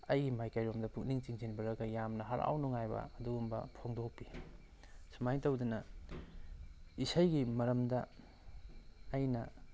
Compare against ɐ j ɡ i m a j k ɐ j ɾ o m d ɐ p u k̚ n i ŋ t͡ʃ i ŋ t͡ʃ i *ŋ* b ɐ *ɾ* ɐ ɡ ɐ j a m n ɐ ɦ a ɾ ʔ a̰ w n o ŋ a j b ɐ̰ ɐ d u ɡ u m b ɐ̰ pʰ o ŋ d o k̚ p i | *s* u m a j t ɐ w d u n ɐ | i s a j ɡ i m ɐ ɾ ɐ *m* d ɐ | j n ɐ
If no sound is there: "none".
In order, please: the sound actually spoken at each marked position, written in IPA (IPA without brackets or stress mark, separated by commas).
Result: n, ɾ, s, m